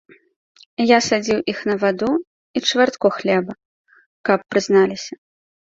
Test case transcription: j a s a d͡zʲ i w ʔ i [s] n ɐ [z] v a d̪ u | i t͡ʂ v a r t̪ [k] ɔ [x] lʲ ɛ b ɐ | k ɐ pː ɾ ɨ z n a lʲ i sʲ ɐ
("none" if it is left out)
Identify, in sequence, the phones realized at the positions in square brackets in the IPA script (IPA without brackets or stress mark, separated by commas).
x, none, k, x